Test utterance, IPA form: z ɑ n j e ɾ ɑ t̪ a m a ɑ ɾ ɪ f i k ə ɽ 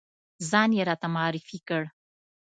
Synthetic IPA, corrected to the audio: z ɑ n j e ɾ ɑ t̪ a m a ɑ ɾ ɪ f i k ə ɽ